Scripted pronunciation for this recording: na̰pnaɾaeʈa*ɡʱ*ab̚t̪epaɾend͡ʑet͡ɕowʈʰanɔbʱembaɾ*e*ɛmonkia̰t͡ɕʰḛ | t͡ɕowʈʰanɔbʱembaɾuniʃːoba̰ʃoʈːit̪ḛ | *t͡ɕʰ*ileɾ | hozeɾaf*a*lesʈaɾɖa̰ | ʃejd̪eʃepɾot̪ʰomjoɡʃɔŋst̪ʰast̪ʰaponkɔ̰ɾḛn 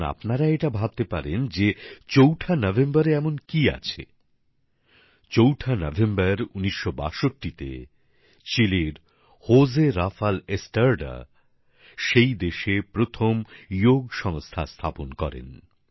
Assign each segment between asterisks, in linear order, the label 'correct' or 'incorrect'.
incorrect, correct, incorrect, correct

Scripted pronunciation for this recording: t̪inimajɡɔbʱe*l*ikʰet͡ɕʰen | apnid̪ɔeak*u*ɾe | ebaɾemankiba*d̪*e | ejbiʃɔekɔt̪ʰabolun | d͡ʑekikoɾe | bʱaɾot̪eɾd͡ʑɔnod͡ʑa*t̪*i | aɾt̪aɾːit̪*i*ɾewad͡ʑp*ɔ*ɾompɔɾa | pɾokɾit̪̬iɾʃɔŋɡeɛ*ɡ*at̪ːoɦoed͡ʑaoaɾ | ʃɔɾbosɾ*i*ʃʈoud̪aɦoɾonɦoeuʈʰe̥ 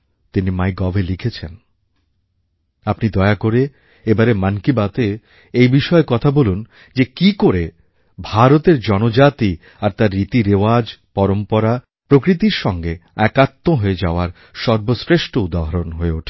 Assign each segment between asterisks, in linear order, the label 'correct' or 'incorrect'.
correct, incorrect, incorrect, correct, correct, correct, incorrect, incorrect

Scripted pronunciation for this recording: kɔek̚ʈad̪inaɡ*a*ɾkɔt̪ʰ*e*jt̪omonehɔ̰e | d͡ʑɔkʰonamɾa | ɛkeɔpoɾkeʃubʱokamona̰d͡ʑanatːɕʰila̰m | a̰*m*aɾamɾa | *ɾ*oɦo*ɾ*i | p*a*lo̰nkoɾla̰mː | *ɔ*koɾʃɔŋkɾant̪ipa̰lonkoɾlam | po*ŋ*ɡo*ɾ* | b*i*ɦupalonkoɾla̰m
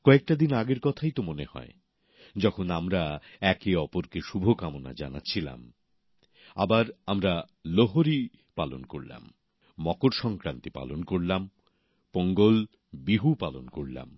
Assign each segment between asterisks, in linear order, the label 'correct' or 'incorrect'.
incorrect, incorrect, incorrect, incorrect, correct, correct, correct, correct, incorrect, correct

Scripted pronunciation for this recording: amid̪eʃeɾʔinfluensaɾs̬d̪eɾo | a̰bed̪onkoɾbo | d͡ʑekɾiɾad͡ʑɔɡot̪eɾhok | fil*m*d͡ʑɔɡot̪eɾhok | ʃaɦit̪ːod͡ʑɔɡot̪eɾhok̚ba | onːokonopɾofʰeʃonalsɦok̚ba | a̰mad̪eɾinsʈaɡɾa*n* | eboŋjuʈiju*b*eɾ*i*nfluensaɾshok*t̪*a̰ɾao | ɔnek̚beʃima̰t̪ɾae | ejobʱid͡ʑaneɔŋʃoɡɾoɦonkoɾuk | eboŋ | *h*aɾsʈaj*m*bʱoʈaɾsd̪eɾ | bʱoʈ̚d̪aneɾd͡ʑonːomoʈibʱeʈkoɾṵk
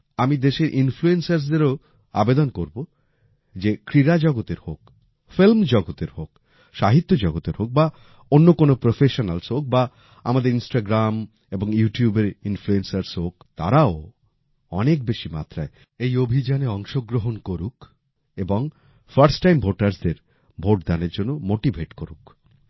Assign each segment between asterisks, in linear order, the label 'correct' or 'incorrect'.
correct, incorrect, correct, correct, correct, incorrect, correct

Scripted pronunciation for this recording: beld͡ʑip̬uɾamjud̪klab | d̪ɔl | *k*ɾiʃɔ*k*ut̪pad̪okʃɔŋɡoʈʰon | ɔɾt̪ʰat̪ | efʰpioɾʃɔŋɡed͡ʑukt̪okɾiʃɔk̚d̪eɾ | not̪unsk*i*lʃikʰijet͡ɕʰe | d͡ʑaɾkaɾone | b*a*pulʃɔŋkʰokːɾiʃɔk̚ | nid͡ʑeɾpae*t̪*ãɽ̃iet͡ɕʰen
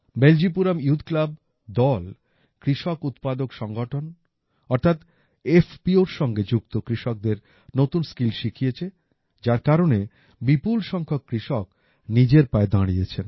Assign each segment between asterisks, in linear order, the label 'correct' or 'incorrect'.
correct, correct, correct, incorrect, incorrect

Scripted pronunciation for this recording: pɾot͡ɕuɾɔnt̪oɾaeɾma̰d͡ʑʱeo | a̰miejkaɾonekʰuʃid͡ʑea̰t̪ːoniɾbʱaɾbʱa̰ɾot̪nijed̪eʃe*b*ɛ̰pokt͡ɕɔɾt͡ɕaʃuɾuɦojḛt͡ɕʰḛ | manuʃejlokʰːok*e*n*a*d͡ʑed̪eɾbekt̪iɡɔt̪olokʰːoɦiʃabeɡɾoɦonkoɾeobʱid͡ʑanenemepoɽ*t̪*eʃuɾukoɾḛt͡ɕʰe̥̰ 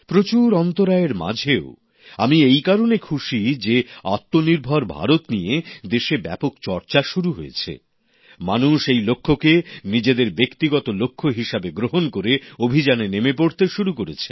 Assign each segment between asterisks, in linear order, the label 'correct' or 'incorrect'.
correct, correct, incorrect, correct

